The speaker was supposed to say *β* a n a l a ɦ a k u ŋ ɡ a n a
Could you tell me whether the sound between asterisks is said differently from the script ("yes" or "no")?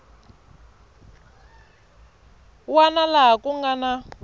yes